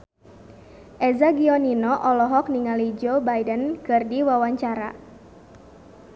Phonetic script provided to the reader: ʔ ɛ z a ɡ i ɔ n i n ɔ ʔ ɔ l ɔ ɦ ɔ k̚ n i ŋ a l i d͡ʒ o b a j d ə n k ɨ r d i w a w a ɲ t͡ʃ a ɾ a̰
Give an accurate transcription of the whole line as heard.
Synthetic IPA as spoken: ʔ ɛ z a ɡ i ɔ n i n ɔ ʔ ɔ l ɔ ɦ ɔ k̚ n i ŋ a l i d͡ʒ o b a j d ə n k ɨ r d i w a w a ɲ t͡ʃ a ɾ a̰